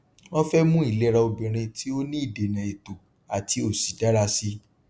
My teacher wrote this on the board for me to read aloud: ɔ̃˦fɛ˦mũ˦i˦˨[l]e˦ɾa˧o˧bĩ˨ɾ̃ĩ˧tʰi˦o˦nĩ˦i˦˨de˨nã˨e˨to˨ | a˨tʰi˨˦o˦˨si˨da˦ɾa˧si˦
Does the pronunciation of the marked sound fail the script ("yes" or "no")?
no